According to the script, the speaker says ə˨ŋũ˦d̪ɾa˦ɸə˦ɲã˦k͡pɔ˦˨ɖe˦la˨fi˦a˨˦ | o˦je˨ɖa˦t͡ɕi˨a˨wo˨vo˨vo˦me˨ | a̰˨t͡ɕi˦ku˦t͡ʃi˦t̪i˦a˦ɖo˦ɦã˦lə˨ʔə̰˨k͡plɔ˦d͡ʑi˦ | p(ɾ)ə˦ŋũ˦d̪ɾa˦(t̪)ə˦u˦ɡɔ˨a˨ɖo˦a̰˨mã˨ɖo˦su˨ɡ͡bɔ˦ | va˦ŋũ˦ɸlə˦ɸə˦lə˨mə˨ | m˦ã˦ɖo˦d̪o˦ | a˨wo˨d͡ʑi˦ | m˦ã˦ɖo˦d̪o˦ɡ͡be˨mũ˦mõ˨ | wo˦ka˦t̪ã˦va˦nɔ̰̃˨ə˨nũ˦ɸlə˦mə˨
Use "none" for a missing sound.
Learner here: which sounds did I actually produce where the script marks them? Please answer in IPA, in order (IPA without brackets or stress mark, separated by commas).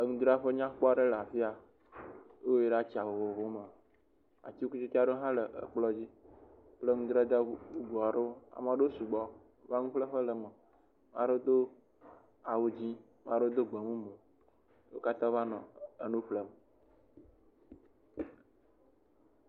l, d̪